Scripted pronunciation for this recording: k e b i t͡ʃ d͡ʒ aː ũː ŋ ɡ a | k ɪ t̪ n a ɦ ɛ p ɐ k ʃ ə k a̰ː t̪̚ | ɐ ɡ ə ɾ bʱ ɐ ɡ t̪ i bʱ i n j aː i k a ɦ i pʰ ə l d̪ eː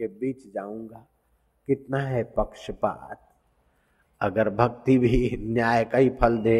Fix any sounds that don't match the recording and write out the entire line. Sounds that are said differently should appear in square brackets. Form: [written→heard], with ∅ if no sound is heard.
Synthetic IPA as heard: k e b [i→iː] t͡ʃ d͡ʒ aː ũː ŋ ɡ a | k ɪ t̪ n a ɦ ɛ p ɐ k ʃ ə [k→p] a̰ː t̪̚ | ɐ ɡ ə ɾ bʱ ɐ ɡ t̪ i bʱ i n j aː [i→j] k a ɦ i pʰ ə l d̪ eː